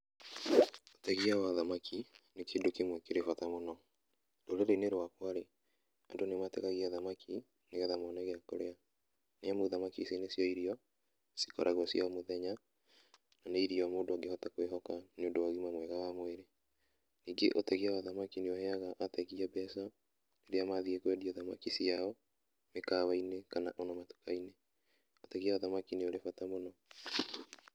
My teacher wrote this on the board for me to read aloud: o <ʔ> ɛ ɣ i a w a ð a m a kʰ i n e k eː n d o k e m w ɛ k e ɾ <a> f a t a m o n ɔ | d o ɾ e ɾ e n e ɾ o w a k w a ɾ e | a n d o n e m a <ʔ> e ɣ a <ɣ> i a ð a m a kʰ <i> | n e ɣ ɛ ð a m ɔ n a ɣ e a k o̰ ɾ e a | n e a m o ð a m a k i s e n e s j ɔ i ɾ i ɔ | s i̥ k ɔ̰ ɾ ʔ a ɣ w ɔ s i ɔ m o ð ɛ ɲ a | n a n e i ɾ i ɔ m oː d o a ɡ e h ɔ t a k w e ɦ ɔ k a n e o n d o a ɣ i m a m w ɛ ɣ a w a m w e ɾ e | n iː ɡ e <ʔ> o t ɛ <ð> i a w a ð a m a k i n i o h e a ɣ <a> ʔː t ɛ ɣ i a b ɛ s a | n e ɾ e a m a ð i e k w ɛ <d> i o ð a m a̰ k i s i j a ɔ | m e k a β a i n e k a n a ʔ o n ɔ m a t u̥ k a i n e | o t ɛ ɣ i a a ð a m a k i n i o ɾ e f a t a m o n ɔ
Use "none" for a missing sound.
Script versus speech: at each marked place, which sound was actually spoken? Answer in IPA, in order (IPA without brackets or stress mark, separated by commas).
t, e, t, ɣ, i, ʔ, ɣ, a, d